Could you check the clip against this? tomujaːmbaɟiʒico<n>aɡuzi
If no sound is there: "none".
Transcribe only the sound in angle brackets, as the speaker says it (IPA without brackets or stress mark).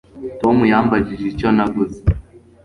n